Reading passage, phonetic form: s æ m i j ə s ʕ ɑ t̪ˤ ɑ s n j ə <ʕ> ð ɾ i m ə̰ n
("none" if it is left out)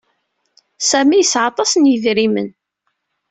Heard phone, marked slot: none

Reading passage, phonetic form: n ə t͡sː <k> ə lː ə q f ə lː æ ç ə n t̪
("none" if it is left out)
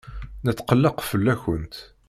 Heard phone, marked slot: q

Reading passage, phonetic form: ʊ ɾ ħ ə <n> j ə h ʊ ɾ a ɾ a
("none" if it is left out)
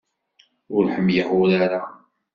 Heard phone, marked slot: m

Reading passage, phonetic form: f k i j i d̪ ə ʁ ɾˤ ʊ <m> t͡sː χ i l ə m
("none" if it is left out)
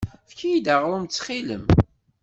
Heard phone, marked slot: m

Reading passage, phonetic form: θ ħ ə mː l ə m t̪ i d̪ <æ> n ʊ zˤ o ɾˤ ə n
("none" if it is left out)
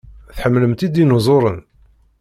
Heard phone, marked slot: i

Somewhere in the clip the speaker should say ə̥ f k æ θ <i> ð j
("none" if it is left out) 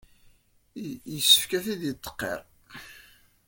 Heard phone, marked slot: i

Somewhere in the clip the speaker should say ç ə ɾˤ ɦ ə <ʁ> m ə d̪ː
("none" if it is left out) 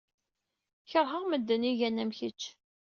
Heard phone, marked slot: ʁ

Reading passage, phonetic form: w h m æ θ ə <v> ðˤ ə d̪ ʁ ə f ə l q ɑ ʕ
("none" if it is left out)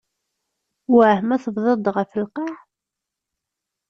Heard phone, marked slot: v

